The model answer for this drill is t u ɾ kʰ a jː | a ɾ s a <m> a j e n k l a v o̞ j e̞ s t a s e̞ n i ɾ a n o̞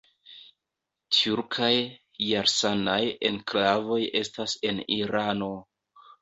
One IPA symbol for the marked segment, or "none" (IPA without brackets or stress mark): n